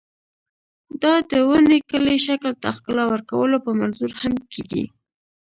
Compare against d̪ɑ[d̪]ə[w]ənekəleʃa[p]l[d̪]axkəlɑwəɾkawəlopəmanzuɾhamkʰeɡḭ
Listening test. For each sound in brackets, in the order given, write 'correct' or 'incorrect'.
correct, correct, incorrect, incorrect

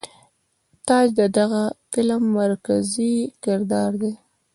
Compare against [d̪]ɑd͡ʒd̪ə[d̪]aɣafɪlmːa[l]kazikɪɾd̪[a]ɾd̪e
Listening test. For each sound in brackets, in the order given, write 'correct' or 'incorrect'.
incorrect, correct, incorrect, incorrect

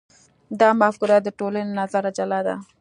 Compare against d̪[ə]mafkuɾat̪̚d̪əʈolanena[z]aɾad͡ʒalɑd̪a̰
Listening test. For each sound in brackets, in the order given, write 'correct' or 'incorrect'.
incorrect, correct

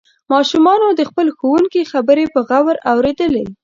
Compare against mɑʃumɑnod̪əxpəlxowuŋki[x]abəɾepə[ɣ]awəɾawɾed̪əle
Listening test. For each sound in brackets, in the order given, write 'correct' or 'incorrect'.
correct, correct

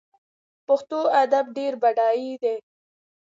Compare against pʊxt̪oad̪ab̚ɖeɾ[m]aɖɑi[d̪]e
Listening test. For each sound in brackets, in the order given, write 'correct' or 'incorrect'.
incorrect, correct

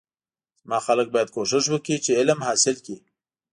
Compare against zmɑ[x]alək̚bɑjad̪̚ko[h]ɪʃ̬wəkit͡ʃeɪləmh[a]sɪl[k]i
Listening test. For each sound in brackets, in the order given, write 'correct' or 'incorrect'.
correct, incorrect, incorrect, correct

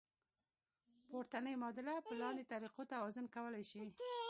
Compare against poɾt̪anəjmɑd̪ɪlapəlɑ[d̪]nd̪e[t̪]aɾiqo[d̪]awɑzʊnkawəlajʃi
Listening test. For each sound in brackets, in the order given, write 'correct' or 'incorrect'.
incorrect, correct, incorrect

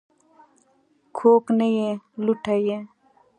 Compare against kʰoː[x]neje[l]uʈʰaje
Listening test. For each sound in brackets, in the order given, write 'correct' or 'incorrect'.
incorrect, correct

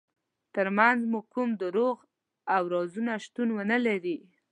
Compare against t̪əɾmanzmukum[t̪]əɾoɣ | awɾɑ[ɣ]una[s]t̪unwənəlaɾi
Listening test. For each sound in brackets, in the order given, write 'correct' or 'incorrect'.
incorrect, incorrect, incorrect

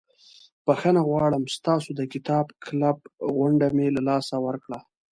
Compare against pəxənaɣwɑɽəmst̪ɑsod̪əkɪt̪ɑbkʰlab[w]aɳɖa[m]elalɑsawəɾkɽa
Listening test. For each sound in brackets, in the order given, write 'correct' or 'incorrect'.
incorrect, correct

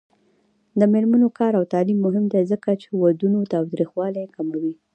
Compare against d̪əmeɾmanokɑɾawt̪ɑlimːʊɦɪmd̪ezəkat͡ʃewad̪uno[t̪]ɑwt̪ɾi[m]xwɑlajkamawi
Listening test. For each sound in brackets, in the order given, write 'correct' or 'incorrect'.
correct, incorrect

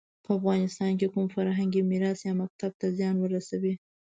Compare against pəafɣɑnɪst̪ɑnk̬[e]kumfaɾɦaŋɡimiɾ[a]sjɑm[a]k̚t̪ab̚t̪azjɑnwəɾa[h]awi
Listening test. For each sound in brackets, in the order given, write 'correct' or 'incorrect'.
correct, incorrect, correct, incorrect

